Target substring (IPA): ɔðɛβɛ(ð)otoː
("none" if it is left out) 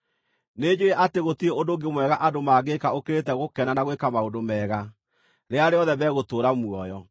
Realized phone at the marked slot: ɣ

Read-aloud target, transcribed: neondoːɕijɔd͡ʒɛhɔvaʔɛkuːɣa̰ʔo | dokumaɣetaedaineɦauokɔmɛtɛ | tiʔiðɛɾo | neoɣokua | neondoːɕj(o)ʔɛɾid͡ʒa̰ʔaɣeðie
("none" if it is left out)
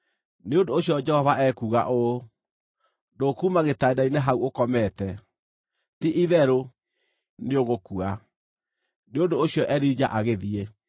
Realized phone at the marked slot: ɔ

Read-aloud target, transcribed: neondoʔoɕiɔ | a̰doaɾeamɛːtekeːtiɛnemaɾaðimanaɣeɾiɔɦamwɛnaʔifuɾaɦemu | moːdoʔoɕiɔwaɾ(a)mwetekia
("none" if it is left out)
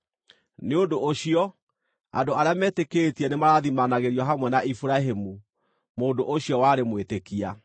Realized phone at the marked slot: e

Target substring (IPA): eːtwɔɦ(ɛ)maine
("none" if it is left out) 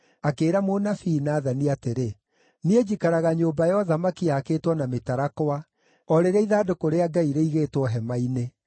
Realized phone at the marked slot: ɛ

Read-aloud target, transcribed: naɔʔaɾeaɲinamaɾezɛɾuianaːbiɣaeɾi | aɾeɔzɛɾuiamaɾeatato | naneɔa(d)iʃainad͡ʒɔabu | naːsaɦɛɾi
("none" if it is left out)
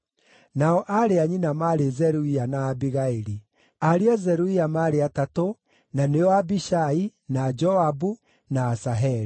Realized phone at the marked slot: b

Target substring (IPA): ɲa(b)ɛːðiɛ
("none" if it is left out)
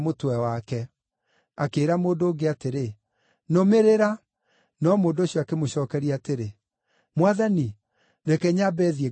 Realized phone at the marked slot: b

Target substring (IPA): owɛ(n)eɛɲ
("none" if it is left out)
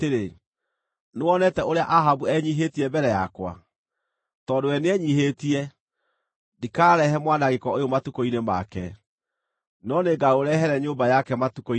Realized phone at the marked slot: n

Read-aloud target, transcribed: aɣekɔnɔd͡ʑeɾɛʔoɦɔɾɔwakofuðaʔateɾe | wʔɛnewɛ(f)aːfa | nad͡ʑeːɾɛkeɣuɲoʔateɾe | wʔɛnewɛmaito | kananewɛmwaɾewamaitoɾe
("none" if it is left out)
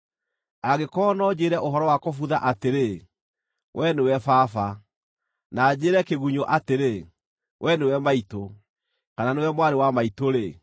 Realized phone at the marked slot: f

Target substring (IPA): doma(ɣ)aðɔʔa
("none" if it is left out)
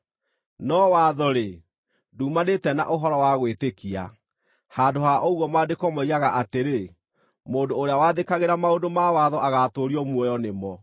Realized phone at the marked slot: w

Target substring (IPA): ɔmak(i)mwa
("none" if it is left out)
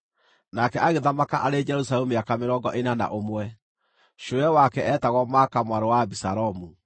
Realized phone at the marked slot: a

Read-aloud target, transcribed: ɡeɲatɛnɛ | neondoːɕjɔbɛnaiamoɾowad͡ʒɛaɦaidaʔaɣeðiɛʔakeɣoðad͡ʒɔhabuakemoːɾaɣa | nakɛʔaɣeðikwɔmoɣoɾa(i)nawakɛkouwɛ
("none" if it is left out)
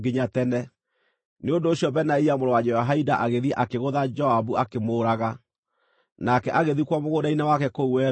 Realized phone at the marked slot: i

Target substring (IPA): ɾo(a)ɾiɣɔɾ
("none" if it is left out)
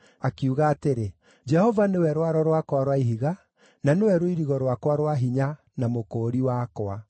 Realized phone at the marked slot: i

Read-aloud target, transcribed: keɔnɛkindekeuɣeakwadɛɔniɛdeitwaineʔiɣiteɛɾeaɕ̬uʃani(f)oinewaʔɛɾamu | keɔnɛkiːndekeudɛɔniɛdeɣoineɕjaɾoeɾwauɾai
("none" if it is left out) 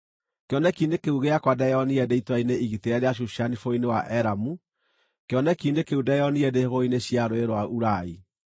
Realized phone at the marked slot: f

